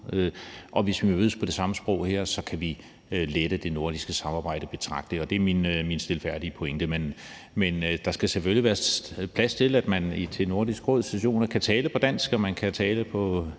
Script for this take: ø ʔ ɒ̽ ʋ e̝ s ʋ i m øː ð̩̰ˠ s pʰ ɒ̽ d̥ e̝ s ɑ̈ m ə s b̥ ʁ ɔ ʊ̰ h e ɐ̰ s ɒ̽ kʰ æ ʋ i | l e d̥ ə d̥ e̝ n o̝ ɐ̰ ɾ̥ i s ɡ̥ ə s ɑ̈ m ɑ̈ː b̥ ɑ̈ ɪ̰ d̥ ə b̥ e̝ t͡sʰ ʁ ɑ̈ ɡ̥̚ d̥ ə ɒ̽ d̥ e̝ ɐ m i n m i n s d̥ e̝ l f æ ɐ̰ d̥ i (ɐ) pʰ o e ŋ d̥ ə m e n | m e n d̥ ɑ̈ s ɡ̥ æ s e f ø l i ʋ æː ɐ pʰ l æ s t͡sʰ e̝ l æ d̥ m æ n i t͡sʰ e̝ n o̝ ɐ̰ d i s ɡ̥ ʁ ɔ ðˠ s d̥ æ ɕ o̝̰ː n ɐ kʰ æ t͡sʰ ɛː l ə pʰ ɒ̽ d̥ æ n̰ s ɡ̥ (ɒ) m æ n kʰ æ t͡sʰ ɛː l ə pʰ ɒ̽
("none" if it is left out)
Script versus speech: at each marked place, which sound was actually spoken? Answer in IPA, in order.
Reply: ə, ɒ

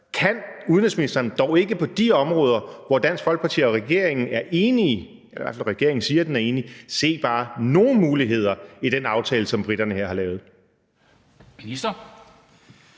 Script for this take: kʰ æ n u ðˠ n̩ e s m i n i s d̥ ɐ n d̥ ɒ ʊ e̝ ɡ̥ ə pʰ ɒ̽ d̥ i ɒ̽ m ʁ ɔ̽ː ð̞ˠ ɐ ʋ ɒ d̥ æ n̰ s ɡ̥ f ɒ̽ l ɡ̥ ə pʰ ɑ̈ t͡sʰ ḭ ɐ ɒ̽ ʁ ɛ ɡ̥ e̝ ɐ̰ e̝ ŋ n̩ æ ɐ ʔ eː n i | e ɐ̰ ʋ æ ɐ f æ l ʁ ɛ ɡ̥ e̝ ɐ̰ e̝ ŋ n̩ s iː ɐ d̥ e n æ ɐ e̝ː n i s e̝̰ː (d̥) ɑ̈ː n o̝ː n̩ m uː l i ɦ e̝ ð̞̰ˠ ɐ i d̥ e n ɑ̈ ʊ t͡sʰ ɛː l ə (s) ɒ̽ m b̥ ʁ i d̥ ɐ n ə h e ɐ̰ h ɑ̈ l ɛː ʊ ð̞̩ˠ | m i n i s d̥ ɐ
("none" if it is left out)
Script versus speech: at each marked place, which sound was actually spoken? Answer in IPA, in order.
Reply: b̥, s

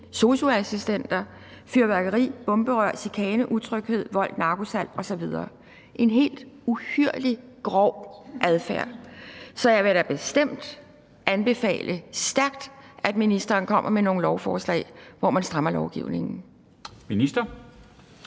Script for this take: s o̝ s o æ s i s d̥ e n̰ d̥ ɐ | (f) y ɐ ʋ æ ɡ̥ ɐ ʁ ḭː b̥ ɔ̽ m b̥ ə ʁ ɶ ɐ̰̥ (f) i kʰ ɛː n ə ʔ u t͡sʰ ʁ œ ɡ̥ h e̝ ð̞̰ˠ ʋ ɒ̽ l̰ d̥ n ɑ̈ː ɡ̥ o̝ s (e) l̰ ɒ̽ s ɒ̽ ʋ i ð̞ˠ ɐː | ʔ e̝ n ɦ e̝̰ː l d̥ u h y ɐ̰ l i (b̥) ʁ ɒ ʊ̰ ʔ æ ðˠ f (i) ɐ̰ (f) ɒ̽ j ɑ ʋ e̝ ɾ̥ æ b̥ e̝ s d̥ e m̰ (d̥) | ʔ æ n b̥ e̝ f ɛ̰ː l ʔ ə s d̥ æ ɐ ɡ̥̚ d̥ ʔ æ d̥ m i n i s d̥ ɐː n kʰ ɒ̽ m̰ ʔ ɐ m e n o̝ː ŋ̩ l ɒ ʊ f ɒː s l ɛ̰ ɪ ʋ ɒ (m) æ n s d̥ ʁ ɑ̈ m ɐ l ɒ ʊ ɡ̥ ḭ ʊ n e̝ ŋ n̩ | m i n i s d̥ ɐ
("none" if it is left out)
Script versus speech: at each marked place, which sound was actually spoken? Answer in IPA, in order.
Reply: f, s, æ, ɡ̥, æ, s, d̥, m

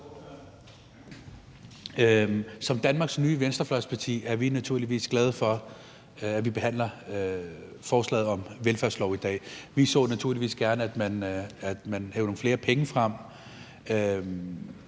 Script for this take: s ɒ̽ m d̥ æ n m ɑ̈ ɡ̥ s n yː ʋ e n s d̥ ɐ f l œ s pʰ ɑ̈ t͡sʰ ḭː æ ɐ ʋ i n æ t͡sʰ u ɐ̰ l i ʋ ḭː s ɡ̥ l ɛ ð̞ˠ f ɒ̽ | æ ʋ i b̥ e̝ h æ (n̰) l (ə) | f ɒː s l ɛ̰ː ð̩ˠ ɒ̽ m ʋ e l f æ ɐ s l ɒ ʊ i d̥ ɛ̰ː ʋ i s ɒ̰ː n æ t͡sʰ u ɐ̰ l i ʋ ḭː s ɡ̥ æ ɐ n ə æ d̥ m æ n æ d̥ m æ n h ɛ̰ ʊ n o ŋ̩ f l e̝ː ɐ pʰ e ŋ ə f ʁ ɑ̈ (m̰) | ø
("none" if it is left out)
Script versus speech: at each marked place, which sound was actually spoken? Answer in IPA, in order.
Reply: n̰, ɐ, m̰

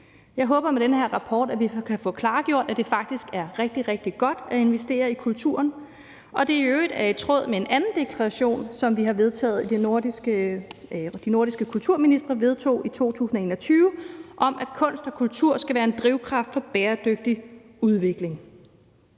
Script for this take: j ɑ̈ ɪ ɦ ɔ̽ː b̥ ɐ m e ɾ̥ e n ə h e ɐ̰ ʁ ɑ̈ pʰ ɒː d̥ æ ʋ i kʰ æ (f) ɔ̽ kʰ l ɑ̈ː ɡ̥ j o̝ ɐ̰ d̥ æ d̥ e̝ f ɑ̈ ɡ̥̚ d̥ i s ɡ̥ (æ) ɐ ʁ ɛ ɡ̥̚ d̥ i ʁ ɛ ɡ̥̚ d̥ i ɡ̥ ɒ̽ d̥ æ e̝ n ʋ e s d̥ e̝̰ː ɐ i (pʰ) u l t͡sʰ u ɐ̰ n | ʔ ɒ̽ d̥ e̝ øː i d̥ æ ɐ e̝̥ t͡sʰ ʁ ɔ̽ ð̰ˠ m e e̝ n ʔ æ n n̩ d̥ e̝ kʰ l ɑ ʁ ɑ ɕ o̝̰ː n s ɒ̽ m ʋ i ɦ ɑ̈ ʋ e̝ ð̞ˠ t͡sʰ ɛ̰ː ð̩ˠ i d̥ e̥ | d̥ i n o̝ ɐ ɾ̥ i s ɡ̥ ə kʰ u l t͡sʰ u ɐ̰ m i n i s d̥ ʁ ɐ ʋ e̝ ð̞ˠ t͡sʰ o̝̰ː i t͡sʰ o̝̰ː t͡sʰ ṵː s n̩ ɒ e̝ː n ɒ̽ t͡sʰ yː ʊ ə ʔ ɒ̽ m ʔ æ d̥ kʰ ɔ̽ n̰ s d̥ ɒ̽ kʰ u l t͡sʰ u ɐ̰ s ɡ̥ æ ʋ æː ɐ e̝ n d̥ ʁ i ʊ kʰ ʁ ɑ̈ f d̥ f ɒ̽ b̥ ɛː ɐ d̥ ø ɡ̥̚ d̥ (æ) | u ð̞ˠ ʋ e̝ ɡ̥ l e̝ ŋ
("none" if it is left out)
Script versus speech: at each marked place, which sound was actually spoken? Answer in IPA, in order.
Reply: f, æ, kʰ, i

